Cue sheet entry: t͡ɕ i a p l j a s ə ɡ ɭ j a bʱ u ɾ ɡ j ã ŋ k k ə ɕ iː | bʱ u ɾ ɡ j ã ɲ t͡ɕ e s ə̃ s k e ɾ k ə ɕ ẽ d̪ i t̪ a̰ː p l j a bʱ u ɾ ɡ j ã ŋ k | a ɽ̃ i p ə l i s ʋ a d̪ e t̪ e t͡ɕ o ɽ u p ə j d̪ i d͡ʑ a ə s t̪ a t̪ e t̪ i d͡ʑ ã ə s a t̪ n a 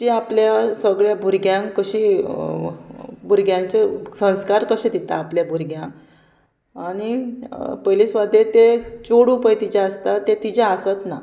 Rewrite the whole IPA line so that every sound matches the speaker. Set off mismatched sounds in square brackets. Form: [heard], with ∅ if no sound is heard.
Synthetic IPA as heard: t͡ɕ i a p l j a s ə ɡ ɭ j a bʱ u ɾ ɡ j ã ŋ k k ə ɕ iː | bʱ u ɾ ɡ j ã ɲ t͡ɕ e s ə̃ s k [a] ɾ k ə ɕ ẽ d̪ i t̪ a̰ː p l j a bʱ u ɾ ɡ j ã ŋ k | a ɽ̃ i p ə l i s ʋ a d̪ e t̪ e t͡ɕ o ɽ u p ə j [t̪] i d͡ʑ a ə s t̪ a t̪ e t̪ i d͡ʑ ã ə s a t̪ n a

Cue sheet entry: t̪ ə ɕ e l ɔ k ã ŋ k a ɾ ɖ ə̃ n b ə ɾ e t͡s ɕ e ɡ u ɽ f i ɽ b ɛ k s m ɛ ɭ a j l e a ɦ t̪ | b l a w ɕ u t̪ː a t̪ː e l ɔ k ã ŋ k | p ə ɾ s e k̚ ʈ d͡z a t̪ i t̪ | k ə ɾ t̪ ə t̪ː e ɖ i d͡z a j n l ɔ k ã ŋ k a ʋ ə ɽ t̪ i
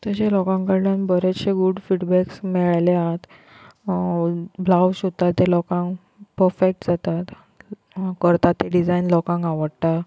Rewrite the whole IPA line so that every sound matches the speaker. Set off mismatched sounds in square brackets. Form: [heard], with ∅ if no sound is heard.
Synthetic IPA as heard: t̪ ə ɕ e l ɔ k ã ŋ k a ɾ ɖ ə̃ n b ə ɾ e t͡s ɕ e ɡ u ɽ f i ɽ b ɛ k s m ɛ ɭ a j l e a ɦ t̪ | b l a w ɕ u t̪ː a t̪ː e l ɔ k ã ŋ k | p ə ɾ [f] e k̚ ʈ d͡z a t̪ [a] t̪ | k ə ɾ t̪ [a] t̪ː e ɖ i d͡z a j n l ɔ k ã ŋ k a ʋ ə ɽ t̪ [a]

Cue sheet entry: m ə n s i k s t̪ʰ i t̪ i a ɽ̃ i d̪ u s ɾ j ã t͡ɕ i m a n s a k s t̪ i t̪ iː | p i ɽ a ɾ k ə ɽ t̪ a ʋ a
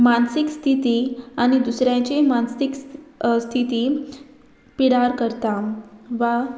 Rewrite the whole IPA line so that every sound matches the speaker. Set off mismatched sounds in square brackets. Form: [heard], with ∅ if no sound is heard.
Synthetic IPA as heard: m [a] n s i k s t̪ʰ i t̪ i a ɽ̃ i d̪ u s ɾ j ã t͡ɕ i m a n s [i] k s [t̪ʰ] i t̪ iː | p i ɽ a ɾ k ə [ɾ] t̪ a ʋ a

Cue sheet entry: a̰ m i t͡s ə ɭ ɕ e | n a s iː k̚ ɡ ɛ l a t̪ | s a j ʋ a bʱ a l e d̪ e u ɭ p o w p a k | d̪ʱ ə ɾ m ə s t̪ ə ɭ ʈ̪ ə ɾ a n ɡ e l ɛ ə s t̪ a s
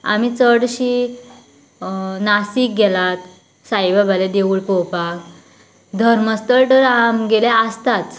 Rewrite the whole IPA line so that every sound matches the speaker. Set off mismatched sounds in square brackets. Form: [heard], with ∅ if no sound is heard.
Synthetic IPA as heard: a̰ m i t͡s ə [ɽ] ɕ [i] | n a s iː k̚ ɡ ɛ l a t̪ | s a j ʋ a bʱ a l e d̪ e u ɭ p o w p a k | d̪ʱ ə ɾ m ə s t̪ ə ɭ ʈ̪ ə ɾ a [m] ɡ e l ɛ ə s t̪ a [t͡s]

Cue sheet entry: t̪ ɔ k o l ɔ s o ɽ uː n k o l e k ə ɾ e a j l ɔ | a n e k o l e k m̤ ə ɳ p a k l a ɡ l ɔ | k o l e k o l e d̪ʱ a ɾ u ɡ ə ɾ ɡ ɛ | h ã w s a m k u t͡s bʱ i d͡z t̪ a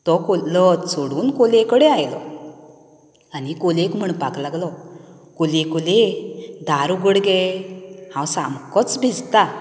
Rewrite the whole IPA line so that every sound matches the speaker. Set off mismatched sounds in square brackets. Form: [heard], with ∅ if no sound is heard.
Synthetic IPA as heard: t̪ ɔ k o l ɔ s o ɽ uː n k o l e k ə [ɽ] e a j l ɔ | a n [i] k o l e k m̤ ə ɳ p a k l a ɡ l ɔ | k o l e k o l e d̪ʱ a ɾ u ɡ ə [ɽ] ɡ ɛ | h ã w s a m k [ɔ] t͡s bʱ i d͡z t̪ a

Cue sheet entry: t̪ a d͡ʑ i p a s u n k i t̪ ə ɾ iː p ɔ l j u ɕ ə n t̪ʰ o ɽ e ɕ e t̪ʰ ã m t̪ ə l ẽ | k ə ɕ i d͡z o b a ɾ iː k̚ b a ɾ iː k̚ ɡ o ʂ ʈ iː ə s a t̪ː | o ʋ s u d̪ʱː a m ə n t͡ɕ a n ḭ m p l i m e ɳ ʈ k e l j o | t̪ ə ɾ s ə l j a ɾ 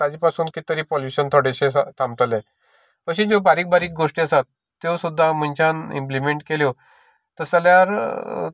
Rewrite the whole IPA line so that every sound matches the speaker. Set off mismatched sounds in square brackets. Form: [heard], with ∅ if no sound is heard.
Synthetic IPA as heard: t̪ a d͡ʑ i p a s [uː] n k i t̪ ə ɾ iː p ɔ l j u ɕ ə n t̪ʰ o ɽ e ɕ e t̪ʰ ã m t̪ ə l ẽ | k ə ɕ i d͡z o b a ɾ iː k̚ b a ɾ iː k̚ ɡ o ʂ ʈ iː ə s a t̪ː | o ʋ s u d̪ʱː a m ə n t͡ɕ a n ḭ m p l i m e ɳ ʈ k e l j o | t̪ ə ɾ s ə l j a ɾ

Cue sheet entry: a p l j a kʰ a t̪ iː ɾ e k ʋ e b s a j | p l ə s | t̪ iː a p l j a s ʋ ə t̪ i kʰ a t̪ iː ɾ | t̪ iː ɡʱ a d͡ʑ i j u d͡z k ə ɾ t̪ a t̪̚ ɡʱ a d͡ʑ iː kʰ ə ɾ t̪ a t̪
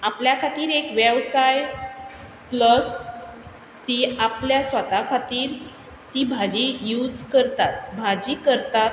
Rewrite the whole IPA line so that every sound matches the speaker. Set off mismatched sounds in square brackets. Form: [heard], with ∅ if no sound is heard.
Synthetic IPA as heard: a p l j a kʰ a t̪ iː ɾ e k ʋ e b s a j | p l ə s | t̪ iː a p l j a s ʋ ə t̪ [a] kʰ a t̪ iː ɾ | t̪ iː [bʱ] a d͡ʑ i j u d͡z k ə ɾ t̪ a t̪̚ [bʱ] a d͡ʑ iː [k] ə ɾ t̪ a t̪

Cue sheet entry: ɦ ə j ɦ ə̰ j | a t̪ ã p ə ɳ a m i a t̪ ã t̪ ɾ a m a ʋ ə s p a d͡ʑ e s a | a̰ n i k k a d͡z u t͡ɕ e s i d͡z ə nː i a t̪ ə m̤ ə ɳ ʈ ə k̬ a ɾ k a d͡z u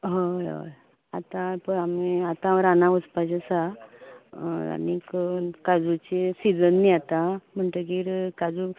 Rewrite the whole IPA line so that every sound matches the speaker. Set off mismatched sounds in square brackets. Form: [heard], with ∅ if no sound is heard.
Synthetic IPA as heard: ɦ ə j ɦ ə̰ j | a t̪ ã p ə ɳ a m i a t̪ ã [∅] ɾ a [n] a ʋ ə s p a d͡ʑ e s a | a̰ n i k k a d͡z u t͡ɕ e s i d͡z ə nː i a t̪ [a] m̤ ə ɳ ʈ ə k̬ [i] ɾ k a d͡z u

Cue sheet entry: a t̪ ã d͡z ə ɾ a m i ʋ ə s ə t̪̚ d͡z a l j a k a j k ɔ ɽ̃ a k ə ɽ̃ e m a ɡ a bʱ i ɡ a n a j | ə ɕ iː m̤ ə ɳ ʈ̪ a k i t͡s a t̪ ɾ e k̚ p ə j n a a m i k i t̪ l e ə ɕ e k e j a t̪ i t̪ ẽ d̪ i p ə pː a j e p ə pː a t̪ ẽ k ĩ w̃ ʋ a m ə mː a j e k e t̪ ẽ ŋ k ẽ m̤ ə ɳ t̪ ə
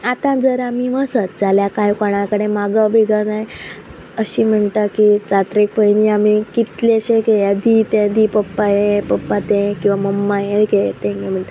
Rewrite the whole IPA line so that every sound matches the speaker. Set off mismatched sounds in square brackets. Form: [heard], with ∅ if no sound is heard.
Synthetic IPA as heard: a t̪ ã d͡z ə ɾ a m i ʋ ə s ə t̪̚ d͡z a l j a k a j k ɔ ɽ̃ a k ə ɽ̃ e m a ɡ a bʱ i ɡ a n a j | ə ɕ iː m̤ ə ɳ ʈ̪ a k i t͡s a t̪ ɾ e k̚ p ə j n [i] a m i k i t̪ l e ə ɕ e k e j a [d̪] i t̪ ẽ d̪ i p ə pː a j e p ə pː a t̪ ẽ k ĩ w̃ ʋ a m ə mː a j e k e t̪ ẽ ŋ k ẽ m̤ ə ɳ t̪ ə

